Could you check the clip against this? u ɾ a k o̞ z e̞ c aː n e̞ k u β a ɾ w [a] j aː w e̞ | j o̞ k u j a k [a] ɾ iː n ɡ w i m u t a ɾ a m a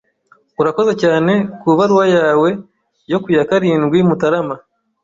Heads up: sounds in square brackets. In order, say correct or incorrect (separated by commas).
correct, correct